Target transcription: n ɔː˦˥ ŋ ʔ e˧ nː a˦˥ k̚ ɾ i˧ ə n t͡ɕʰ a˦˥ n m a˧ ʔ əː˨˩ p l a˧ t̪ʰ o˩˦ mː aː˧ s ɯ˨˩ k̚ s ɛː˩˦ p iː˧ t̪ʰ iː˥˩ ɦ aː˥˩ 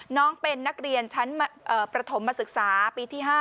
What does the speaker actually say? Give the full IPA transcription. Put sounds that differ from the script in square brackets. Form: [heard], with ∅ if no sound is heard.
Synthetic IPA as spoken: n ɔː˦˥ ŋ [p] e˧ nː a˦˥ k̚ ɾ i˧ ə n t͡ɕʰ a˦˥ n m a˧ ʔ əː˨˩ p [ɾ] a˧ t̪ʰ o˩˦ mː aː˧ s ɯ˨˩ k̚ s [aː˩˦] p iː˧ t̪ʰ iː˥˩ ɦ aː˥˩